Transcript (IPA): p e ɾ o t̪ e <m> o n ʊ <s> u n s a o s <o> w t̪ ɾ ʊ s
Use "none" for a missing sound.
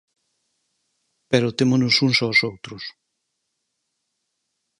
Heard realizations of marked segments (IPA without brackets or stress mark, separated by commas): m, s, o